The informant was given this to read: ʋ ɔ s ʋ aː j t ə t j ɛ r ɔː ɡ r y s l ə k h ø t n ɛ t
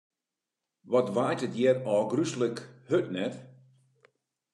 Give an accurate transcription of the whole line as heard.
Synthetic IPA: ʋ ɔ t ʋ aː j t ə t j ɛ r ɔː ɡ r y s l ə k h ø t n ɛ t

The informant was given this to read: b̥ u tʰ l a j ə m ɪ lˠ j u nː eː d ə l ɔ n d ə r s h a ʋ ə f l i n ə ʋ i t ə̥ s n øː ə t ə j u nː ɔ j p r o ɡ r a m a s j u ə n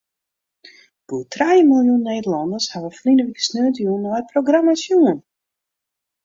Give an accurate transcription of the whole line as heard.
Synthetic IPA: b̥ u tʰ r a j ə m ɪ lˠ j u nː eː d ə l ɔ n d ə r s h a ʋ ə f l i n ə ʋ i k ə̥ s n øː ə t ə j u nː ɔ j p r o ɡ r a m a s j u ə n

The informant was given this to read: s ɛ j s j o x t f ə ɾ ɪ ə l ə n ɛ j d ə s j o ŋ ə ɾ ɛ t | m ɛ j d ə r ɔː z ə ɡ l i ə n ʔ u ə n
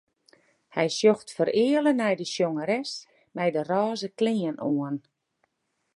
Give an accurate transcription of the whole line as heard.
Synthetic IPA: h ɛ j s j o x t f ə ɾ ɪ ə l ə n ɛ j d ə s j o ŋ ə ɾ ɛ s | m ɛ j d ə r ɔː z ə k l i ə n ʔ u ə n

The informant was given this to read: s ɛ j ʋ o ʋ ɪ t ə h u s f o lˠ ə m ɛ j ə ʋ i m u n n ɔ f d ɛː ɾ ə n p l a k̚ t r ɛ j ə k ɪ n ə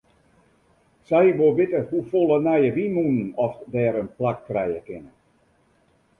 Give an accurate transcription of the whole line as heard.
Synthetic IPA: s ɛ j ʋ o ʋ ɪ t ə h u f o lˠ ə n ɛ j ə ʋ i m u n n ɔ f d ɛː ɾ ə n p l a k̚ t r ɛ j ə k ɪ n ə

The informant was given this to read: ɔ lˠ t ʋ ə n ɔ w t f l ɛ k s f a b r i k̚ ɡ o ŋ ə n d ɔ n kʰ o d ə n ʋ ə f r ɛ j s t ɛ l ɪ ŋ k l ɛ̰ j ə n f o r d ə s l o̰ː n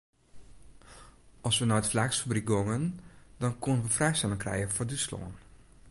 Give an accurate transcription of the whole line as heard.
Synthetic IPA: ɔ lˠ s ʋ ə n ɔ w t f l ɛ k s f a b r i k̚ ɡ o ŋ ə n d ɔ n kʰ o n ə n ʋ ə f r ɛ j s t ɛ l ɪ ŋ k r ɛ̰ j ə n f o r d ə s l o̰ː n

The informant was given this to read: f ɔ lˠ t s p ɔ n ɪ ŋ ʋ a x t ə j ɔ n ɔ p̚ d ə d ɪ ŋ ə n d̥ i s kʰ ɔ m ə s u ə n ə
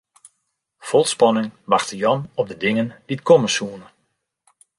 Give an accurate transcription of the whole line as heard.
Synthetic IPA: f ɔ lˠ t s p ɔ n ɪ ŋ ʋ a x t ə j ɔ n ɔ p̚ d ə d ɪ ŋ ə n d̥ i t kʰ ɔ m ə s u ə n ə

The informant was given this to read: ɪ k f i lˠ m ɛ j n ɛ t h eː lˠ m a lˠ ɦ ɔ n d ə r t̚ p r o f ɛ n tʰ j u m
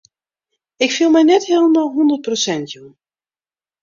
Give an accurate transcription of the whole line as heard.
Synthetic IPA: ɪ k f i lˠ m ɛ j n ɛ t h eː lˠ m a lˠ ɦ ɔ n d ə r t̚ p r o s ɛ n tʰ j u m

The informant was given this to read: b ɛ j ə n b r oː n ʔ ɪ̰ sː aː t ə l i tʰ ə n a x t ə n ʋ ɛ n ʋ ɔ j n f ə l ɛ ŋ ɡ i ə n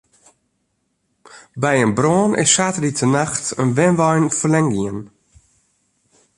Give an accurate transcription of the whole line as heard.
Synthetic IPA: b ɛ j ə n b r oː n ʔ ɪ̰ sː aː t ə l i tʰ ə n a x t ə n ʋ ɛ n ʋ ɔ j n f ə l ɛ ŋ ɡ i ə n

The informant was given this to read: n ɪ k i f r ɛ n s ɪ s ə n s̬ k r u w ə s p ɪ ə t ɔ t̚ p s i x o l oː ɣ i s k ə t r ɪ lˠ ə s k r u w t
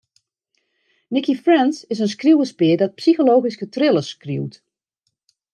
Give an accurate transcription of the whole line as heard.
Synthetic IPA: n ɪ k i f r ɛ n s ɪ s ə n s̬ k r u w ə s p ɪ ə d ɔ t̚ p s i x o l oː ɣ i s k ə t r ɪ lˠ ə s k r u w t

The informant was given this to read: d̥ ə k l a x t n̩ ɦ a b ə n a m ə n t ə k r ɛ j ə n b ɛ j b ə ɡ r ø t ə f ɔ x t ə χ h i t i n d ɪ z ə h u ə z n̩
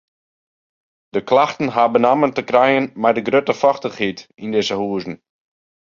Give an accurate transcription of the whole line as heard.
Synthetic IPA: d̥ ə k l a x t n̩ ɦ a b ə n a m ə n t ə k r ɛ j ə n m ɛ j d ə ɡ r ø t ə f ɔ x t ə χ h i t i n d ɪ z ə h u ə z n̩

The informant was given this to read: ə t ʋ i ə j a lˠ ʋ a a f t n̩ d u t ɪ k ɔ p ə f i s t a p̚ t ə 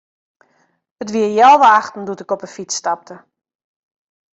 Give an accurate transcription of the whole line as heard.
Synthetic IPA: ə t ʋ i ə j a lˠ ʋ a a x t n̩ d u t ɪ k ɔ p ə f i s t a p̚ t ə

